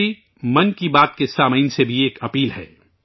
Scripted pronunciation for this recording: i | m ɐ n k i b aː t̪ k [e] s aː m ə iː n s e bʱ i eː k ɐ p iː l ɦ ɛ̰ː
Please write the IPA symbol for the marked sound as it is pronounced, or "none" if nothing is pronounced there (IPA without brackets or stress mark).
e